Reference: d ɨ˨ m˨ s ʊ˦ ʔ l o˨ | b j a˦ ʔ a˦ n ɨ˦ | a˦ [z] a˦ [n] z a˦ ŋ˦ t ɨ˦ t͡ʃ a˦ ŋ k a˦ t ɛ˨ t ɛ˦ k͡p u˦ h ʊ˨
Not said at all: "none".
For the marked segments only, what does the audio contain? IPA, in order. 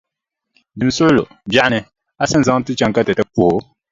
s, n

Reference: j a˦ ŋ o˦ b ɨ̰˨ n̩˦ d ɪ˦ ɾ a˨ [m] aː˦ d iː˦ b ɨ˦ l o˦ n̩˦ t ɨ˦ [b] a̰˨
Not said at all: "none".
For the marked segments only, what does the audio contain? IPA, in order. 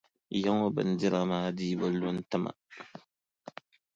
m, m

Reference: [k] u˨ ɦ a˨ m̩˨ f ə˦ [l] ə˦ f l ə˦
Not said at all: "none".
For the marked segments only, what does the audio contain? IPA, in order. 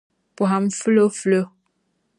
p, l

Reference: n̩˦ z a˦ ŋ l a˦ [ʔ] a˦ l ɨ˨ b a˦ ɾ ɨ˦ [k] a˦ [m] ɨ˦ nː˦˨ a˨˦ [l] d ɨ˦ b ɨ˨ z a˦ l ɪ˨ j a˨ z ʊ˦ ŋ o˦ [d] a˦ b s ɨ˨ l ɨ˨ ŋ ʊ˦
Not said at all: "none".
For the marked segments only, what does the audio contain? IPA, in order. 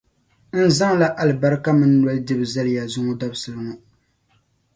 ʔ, k, m, l, d

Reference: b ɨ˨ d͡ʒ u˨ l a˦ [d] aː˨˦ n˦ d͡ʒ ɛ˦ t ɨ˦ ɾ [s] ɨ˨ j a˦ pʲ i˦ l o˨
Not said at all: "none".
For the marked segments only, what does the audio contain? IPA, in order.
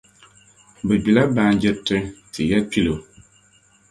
b, t

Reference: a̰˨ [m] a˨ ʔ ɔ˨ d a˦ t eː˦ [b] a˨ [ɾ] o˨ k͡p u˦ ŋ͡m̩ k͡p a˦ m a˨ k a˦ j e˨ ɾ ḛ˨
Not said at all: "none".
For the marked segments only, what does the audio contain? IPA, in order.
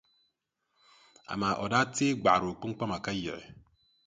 m, ɡ͡b, ɾ

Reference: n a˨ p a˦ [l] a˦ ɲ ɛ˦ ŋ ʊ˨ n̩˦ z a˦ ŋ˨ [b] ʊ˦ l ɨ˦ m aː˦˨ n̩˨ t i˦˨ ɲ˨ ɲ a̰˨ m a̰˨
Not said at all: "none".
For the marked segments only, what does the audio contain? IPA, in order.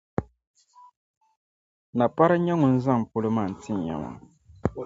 ɾ, p

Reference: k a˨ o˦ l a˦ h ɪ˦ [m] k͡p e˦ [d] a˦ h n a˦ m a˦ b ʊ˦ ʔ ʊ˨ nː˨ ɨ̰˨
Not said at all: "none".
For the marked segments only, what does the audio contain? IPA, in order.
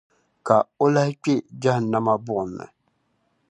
none, d͡ʒ

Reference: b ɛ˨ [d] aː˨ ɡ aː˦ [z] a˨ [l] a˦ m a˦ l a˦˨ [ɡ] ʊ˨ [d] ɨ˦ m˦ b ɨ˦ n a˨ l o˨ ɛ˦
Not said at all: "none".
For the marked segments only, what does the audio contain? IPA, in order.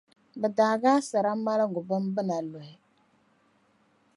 d, s, ɾ, ɡ, b

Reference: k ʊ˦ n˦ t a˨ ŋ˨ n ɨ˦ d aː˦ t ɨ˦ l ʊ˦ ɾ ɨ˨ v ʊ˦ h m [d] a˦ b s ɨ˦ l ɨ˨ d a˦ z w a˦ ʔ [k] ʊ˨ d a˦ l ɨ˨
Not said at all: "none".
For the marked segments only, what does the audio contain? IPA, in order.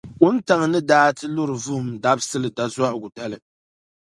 d, ɡ

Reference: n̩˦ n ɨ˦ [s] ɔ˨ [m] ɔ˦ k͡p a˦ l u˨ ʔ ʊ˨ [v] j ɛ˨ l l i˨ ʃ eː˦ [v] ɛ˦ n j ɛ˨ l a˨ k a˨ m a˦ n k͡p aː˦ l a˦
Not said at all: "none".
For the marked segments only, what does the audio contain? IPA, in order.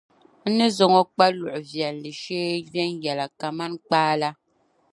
z, ŋ, v, v

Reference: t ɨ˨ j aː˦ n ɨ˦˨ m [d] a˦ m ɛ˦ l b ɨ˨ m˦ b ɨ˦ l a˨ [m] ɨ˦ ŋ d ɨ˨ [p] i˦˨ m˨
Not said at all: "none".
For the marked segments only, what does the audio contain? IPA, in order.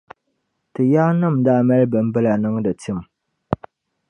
d, n, t

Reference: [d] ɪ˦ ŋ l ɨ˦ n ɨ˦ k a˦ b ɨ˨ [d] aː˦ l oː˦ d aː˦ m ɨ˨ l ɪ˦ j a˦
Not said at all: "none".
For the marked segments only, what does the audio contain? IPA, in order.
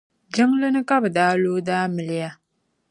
d͡ʒ, d

